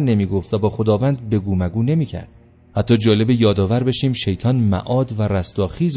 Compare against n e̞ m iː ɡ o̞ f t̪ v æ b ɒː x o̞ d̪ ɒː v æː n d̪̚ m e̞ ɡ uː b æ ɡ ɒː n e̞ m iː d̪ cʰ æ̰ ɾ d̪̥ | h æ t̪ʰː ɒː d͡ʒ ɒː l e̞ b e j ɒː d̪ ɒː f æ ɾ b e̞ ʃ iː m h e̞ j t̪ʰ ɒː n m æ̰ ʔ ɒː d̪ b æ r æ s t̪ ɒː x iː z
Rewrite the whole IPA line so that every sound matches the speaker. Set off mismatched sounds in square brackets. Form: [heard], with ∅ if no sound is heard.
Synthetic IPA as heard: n e̞ m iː ɡ o̞ f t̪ v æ b ɒː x o̞ d̪ ɒː v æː n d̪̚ [b] e̞ ɡ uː [m] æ ɡ [uː] n e̞ m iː [∅] cʰ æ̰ ɾ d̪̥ | h æ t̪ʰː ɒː d͡ʒ ɒː l e̞ b e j ɒː d̪ ɒː [v] æ ɾ b e̞ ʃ iː m [ʃ] e̞ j t̪ʰ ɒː n m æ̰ ʔ ɒː d̪ [v] æ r æ s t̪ ɒː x iː z